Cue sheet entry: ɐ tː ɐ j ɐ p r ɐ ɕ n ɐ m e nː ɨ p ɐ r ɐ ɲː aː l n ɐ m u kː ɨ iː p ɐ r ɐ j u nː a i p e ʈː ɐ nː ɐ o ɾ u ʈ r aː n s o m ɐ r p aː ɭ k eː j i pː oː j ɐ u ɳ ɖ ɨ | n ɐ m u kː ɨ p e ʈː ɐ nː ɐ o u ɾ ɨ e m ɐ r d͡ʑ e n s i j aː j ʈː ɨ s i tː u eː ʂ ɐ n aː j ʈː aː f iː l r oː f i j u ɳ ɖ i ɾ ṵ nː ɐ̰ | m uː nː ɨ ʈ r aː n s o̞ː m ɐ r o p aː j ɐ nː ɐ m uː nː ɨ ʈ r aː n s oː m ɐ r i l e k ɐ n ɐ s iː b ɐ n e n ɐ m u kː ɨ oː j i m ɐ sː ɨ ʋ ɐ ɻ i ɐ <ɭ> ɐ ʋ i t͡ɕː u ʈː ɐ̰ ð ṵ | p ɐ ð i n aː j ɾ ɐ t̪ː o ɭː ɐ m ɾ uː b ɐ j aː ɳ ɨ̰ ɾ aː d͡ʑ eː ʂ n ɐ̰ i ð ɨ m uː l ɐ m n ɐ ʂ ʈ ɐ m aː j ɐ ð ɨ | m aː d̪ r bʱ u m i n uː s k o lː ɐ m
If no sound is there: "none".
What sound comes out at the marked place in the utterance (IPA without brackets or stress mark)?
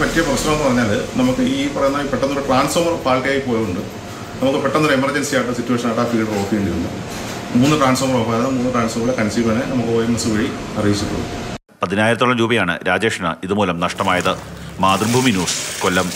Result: r